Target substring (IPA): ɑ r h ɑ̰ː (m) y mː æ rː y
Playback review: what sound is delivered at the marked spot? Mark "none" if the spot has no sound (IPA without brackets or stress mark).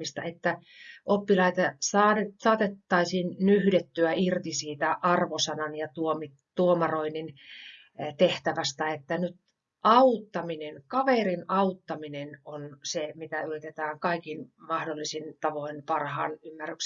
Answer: n